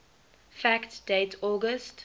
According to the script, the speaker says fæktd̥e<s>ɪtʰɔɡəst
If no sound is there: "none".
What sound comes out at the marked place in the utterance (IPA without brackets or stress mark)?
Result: none